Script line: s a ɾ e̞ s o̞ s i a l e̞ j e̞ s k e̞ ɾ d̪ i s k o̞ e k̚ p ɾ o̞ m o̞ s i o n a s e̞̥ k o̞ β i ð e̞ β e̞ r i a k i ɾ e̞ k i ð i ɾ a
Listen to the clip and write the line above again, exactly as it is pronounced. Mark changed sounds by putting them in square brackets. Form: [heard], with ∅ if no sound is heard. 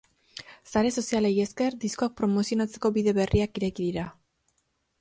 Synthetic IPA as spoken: s a ɾ e̞ s o̞ s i a l e̞ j e̞ s k e̞ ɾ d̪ i s k o̞ [a] k̚ p ɾ o̞ m o̞ s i o n a [t͡s] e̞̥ k o̞ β i ð e̞ β e̞ r i a k i ɾ e̞ k i ð i ɾ a